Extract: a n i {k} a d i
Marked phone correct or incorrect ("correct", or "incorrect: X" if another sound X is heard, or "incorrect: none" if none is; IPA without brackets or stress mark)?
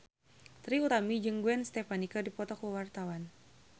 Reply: correct